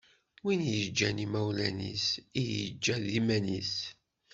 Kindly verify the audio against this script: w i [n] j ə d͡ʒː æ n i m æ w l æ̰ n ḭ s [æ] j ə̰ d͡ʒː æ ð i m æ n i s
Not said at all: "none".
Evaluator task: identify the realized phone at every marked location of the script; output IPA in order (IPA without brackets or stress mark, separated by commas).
n, i